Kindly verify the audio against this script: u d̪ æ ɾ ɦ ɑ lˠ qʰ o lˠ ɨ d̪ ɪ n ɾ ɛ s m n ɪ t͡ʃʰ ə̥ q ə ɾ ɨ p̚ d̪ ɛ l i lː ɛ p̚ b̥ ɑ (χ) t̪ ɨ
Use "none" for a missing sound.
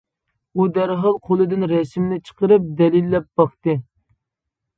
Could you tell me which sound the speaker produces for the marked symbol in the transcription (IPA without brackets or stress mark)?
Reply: χ